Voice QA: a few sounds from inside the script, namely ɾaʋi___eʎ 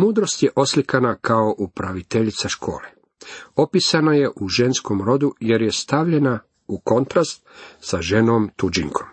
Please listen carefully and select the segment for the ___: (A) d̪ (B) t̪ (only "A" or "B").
B